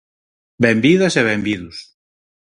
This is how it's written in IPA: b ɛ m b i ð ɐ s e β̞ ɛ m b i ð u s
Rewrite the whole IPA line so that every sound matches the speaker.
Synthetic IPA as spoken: b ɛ m b i ð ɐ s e β̞ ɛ m b i ð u s